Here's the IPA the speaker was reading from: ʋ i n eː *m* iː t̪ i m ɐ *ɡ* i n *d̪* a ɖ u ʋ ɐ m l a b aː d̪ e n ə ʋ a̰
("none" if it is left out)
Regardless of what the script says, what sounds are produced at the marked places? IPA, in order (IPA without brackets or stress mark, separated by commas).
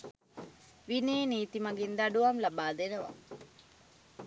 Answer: n, ɡ, d̪